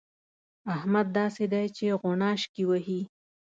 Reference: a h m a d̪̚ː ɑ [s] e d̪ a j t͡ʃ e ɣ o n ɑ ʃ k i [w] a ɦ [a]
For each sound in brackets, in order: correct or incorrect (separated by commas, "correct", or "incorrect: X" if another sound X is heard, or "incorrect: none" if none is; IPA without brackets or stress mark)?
correct, correct, incorrect: i